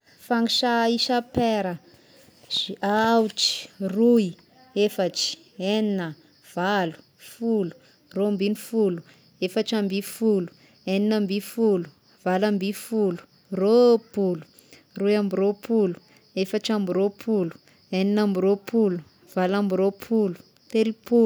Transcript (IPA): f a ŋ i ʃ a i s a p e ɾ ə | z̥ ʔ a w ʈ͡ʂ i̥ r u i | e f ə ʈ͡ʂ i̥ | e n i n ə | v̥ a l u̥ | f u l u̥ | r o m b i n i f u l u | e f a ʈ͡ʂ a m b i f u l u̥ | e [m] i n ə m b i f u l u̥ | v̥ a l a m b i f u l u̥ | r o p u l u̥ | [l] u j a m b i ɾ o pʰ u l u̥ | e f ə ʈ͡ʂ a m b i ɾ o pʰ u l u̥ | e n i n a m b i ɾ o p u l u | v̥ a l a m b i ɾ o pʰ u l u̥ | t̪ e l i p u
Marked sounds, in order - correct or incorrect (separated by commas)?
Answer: incorrect, incorrect